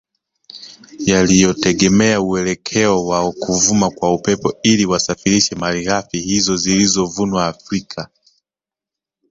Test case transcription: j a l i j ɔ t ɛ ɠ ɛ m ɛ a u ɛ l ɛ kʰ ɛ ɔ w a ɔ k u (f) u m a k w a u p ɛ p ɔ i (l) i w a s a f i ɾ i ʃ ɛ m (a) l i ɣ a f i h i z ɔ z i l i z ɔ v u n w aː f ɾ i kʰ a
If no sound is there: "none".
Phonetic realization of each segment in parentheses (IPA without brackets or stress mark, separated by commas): v, l, a